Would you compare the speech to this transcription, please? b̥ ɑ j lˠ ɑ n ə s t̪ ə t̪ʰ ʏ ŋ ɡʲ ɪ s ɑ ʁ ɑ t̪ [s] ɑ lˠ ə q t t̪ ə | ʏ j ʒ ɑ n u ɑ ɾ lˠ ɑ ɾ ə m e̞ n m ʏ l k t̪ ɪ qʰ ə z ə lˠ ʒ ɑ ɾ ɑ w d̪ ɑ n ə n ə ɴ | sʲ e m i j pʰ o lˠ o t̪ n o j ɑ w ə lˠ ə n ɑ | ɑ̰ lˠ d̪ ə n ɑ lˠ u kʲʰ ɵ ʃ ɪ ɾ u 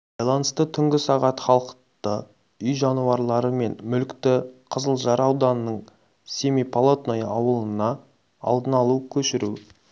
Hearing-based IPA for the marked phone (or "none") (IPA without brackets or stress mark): χ